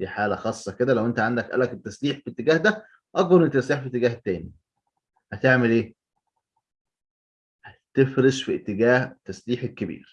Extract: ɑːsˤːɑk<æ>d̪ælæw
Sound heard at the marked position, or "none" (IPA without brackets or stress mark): e